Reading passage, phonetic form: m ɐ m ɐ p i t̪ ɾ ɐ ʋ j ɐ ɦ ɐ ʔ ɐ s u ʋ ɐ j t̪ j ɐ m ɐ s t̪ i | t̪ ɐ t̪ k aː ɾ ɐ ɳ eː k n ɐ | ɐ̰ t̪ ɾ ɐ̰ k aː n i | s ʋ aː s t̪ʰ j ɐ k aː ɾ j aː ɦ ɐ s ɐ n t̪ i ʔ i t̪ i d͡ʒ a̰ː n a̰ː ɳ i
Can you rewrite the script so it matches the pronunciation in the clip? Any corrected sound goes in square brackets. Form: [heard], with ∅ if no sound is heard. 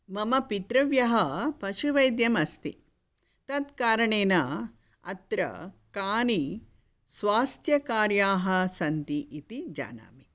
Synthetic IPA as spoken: m ɐ m ɐ p i t̪ ɾ ɐ ʋ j ɐ ɦ ɐ [p] ɐ [ʃ] u ʋ ɐ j [d̪] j ɐ m ɐ s t̪ i | t̪ ɐ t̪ k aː ɾ ɐ ɳ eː [∅] n ɐ | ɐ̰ t̪ ɾ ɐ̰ k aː n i | s ʋ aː s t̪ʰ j ɐ k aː ɾ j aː ɦ ɐ s ɐ n t̪ i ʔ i t̪ i d͡ʒ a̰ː n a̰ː [m] i

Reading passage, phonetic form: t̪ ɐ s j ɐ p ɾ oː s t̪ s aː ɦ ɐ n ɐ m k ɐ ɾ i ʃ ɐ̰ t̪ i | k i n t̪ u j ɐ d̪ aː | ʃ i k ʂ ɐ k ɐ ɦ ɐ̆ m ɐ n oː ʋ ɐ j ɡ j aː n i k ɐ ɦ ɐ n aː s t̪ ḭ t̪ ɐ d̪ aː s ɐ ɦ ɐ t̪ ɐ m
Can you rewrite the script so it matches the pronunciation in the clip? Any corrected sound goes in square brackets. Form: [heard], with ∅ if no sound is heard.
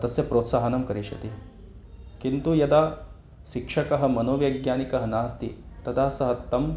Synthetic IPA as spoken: t̪ ɐ s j ɐ p ɾ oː [∅] t̪ s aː ɦ ɐ n ɐ m k ɐ ɾ i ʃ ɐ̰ t̪ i | k i n t̪ u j ɐ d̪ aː | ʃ i k ʂ ɐ k ɐ ɦ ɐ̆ m ɐ n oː ʋ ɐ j ɡ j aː n i k ɐ ɦ ɐ n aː s t̪ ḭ t̪ ɐ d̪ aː s ɐ ɦ ɐ t̪ ɐ m

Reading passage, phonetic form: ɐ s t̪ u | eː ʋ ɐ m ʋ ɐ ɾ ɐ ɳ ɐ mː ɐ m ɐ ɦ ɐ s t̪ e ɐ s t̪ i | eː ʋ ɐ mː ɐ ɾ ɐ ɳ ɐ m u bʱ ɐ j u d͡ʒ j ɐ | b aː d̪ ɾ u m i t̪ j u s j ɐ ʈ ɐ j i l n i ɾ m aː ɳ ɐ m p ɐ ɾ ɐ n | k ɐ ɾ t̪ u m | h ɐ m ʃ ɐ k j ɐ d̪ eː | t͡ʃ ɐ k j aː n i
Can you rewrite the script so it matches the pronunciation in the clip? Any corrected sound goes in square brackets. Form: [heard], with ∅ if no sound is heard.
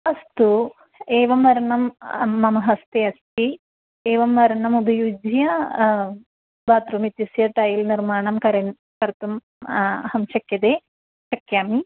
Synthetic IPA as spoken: ɐ s t̪ u | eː ʋ ɐ m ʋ ɐ ɾ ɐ ɳ ɐ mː ɐ m ɐ ɦ ɐ s t̪ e ɐ s t̪ i | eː ʋ ɐ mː ɐ ɾ ɐ ɳ ɐ m u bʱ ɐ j u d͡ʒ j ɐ | b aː [t̪] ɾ u m i t̪ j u s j ɐ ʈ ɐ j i l n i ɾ m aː ɳ ɐ m [k] ɐ ɾ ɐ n | k ɐ ɾ t̪ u m | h ɐ m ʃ ɐ k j ɐ d̪ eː | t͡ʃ ɐ k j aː [m] i

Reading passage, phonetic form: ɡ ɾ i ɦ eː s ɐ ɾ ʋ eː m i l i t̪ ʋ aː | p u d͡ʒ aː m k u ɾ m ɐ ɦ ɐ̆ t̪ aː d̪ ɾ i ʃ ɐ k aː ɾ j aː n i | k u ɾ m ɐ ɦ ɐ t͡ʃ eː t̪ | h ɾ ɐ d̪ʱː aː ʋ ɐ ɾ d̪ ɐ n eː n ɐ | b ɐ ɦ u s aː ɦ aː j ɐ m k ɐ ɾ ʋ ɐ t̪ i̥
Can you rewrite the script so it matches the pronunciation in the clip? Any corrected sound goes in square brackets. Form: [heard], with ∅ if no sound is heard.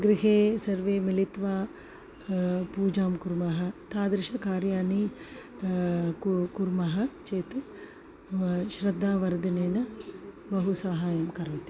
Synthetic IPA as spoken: ɡ ɾ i ɦ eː s ɐ ɾ ʋ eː m i l i t̪ ʋ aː | p [uː] d͡ʒ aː m k u ɾ m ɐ ɦ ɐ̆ t̪ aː d̪ ɾ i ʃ ɐ k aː ɾ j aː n i | k u ɾ m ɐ ɦ ɐ t͡ʃ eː t̪ | [ʃ] ɾ ɐ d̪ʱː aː ʋ ɐ ɾ d̪ ɐ n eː n ɐ | b ɐ ɦ u s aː ɦ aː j ɐ m k ɐ ɾ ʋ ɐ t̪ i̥

